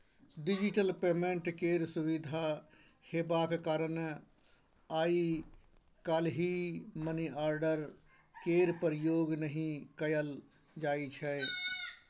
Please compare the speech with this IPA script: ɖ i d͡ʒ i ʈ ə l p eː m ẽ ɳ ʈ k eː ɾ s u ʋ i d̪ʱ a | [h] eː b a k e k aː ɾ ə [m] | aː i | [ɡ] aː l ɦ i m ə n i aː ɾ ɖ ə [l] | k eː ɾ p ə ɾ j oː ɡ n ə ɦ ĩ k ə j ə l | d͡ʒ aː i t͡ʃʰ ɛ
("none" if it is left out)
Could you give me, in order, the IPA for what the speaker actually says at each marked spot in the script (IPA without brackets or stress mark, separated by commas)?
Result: h, n, k, ɾ